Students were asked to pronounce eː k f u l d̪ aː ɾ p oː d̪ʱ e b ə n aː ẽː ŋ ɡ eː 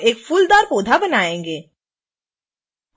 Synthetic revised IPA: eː k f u l d̪ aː ɾ p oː d̪ʱ a b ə n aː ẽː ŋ ɡ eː